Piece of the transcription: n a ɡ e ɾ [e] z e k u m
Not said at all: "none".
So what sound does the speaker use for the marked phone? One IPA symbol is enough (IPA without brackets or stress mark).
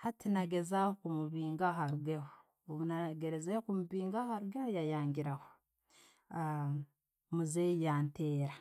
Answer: e